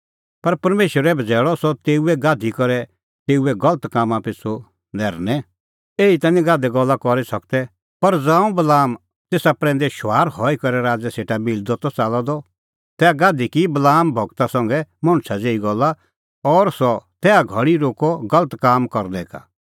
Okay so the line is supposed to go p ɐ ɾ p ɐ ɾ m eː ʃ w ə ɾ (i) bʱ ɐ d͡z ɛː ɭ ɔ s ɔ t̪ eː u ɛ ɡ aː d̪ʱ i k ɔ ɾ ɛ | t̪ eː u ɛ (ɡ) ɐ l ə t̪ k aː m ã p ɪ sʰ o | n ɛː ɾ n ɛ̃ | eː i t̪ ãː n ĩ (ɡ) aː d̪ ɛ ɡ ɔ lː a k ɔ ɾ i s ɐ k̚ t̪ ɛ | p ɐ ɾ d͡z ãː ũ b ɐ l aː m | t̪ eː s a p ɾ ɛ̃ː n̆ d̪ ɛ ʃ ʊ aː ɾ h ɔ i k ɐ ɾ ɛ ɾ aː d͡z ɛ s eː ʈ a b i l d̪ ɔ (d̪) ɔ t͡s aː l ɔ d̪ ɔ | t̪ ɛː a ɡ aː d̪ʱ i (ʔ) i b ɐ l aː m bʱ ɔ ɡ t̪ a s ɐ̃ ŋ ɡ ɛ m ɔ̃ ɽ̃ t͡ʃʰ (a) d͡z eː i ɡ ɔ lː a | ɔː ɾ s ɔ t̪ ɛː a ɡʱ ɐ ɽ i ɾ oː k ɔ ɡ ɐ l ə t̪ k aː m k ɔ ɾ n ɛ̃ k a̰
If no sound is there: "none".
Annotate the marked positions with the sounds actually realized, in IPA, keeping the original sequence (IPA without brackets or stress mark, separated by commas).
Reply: ɛ, ɡ, ɡ, t̪, k, a